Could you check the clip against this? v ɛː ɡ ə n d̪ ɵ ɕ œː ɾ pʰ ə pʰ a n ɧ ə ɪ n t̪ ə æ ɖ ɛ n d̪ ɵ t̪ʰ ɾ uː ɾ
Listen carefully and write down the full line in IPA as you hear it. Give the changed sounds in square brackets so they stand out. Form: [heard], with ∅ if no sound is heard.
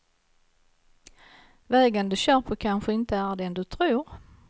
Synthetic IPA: v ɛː ɡ ə n d̪ ɵ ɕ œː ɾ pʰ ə [kʰ] a n ɧ ə ɪ n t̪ ə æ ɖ ɛ n d̪ ɵ t̪ʰ ɾ uː ɾ